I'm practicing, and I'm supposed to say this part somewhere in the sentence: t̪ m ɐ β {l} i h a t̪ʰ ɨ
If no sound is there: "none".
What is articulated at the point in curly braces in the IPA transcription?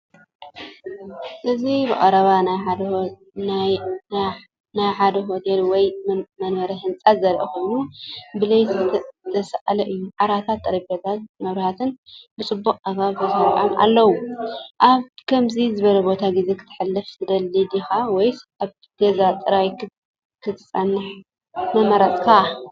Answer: ɾ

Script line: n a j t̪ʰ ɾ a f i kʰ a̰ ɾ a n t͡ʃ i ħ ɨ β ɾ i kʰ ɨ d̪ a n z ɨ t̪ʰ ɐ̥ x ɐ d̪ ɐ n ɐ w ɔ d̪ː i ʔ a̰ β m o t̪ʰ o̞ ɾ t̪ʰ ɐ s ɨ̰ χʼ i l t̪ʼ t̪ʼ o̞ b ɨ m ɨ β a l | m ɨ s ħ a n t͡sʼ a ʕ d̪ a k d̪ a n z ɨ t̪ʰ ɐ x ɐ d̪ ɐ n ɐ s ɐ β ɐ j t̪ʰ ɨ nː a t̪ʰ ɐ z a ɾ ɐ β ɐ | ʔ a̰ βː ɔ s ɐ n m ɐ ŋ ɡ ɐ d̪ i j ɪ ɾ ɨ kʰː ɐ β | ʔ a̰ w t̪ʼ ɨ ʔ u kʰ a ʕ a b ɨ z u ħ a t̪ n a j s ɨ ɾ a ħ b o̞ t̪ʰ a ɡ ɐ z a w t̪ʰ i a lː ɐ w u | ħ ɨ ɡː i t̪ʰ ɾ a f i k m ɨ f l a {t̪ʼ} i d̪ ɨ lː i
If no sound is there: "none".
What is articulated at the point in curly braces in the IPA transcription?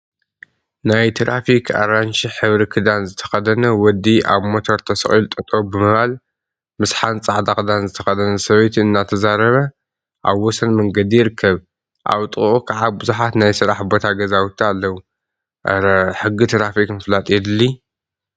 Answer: t̪ʼ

